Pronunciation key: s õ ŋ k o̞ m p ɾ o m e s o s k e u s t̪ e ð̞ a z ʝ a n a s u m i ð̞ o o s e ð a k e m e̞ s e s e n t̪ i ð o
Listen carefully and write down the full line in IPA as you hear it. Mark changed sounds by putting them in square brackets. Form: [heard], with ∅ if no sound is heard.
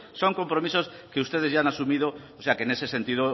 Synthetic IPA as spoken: s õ ŋ k o̞ m p ɾ o m [i] s o s k e u s t̪ e ð̞ [e] z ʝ a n a s u m i ð̞ o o s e [∅] a k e [n] e̞ s e s e n t̪ i ð o